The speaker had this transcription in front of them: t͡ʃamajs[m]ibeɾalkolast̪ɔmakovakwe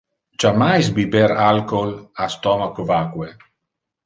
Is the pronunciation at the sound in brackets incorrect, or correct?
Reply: incorrect